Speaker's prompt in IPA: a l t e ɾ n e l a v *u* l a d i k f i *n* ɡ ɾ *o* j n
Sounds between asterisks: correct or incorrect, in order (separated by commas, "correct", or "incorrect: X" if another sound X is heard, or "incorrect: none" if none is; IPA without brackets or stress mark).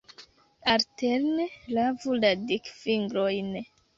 correct, incorrect: ŋ, correct